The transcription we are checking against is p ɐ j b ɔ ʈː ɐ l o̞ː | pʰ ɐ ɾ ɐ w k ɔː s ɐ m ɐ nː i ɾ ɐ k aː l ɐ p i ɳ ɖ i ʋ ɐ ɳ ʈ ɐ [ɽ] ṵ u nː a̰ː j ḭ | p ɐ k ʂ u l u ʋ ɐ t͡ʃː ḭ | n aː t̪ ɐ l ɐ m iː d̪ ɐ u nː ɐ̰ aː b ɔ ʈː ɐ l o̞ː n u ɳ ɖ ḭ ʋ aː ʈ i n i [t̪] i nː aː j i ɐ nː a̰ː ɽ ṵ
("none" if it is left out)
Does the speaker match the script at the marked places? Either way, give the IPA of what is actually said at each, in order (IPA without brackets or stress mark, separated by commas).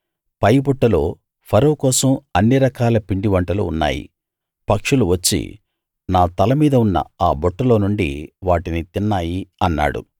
l, t̪